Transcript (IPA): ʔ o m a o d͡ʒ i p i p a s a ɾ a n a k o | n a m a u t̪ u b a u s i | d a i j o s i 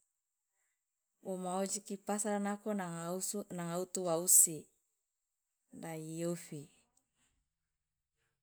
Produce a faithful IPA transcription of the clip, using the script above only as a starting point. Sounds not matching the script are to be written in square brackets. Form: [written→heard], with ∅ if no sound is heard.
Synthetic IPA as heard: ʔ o m a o d͡ʒ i [p→k] i p a s a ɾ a n a k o | n a [m→ŋ] a u t̪ u [b→w] a u s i | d a i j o [s→f] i